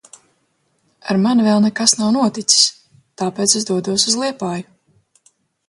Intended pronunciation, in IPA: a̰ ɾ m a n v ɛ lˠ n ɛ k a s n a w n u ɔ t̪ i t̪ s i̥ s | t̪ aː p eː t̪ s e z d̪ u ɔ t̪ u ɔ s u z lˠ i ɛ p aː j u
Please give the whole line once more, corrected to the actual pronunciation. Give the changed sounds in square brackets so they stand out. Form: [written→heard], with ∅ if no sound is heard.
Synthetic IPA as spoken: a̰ ɾ m a n v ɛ lˠ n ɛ k a s n a w n u ɔ t̪ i t̪ s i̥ s | t̪ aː p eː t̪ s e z d̪ u ɔ [t̪→d̪] u ɔ s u z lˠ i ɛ p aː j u